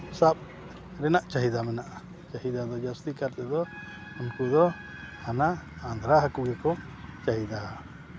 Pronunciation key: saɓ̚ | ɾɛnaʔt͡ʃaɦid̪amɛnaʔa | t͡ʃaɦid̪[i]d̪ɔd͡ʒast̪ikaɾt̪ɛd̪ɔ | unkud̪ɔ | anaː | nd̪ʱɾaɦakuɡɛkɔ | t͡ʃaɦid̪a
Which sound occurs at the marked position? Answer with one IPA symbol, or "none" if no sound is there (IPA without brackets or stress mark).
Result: a